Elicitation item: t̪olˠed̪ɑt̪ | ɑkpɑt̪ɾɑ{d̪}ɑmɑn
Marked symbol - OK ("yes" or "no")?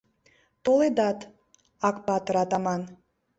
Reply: no